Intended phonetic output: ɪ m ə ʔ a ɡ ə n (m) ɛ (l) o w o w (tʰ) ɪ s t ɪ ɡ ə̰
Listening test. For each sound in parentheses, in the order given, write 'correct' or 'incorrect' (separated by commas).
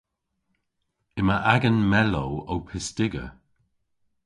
correct, correct, incorrect